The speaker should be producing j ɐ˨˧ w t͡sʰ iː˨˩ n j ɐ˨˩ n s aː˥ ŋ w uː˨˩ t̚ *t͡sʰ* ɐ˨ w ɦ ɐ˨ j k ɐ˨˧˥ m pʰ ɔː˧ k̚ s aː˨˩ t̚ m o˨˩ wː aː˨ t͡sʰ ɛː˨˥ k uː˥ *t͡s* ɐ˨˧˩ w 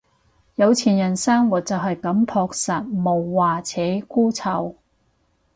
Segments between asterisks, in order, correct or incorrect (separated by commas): incorrect, incorrect